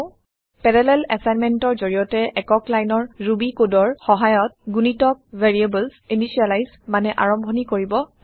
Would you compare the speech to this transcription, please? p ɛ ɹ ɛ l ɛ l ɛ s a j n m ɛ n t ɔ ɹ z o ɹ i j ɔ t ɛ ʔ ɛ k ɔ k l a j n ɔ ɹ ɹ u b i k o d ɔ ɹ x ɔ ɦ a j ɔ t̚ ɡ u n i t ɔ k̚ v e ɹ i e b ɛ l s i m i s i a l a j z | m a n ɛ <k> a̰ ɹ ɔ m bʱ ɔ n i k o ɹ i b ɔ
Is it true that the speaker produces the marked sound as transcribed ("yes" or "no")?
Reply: no